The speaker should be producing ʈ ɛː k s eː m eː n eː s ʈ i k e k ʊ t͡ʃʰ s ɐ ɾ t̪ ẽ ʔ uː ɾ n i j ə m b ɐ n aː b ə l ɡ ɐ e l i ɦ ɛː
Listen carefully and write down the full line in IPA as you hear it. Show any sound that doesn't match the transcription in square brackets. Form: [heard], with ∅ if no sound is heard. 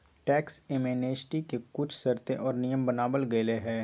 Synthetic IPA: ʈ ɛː k s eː m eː n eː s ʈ i k e k ʊ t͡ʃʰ s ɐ ɾ t̪ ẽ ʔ [ɔː] ɾ n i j ə m b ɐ n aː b ə l ɡ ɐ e l [e] ɦ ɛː